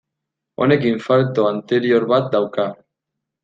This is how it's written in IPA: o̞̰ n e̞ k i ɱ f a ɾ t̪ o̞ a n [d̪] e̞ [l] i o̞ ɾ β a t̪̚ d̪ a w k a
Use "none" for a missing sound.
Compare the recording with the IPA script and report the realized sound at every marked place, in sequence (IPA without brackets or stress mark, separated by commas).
t̪, ɾ